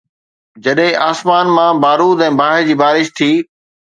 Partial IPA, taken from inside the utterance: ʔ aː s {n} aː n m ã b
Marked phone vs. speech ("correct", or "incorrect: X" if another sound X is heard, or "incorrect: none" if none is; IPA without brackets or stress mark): incorrect: m